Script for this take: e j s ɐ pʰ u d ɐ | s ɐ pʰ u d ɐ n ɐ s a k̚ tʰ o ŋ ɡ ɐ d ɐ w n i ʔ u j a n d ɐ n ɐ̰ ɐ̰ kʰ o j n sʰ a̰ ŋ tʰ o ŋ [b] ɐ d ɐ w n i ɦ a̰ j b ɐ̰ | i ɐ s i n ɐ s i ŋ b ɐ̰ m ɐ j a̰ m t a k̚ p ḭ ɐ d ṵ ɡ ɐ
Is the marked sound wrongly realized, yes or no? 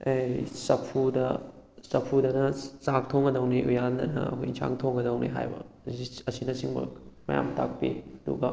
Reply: yes